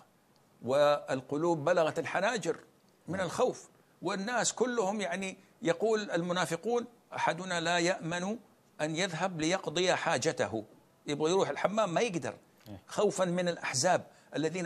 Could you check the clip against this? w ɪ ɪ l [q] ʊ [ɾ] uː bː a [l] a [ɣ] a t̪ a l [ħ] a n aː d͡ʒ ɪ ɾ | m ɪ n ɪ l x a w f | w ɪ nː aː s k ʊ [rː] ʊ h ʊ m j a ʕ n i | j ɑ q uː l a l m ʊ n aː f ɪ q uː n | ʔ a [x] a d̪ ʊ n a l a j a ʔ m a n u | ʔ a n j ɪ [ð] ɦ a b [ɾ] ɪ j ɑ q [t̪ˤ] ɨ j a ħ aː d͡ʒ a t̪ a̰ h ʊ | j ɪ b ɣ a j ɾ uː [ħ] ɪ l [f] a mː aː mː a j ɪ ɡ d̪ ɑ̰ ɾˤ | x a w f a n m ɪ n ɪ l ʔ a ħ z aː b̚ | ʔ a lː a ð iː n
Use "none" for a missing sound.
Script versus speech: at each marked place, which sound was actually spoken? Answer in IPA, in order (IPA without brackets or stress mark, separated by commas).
q, l, l, ɣ, ħ, lː, ħ, ð, l, d̪ˤ, ħ, ħ